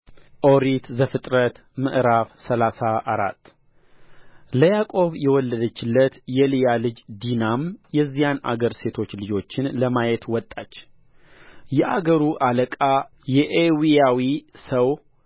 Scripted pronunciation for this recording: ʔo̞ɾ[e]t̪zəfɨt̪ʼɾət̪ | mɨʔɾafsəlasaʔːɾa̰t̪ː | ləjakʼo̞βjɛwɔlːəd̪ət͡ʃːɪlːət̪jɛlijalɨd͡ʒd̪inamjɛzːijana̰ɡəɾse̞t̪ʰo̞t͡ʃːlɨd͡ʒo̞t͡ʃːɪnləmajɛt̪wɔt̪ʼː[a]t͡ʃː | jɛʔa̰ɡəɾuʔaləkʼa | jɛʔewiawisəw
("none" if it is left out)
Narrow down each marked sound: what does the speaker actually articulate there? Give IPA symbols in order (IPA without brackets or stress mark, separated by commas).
i, a